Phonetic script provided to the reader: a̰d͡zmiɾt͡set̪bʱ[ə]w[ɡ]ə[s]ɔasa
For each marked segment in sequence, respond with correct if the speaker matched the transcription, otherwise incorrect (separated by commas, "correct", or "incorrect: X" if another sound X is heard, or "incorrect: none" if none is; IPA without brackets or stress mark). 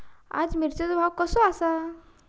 incorrect: a, incorrect: k, correct